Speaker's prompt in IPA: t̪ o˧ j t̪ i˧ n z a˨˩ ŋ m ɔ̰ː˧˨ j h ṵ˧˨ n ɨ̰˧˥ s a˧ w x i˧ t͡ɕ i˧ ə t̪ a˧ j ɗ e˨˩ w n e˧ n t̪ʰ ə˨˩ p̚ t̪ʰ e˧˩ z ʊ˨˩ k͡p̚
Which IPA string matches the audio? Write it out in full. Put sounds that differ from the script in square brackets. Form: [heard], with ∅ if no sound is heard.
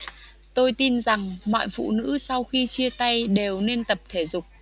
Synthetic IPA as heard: t̪ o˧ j t̪ i˧ n z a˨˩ ŋ m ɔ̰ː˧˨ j [f] ṵ˧˨ n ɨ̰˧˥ s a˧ w x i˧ t͡ɕ i˧ ə t̪ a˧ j ɗ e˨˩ w n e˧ n [t̪] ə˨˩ p̚ t̪ʰ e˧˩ z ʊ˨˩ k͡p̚